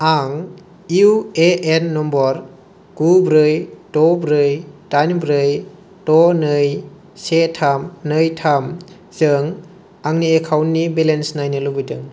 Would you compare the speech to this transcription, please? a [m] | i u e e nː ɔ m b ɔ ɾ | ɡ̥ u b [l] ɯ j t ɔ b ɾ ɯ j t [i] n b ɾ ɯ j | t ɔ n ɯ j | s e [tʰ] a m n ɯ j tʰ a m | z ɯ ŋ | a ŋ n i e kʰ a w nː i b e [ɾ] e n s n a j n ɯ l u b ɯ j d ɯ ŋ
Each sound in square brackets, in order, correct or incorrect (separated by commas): incorrect, incorrect, incorrect, correct, incorrect